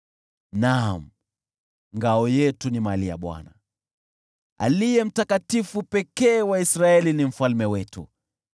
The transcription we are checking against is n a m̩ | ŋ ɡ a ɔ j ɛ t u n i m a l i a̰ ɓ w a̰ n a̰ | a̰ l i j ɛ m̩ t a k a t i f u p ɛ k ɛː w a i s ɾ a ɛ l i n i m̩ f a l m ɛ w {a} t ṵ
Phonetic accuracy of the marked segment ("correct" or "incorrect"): incorrect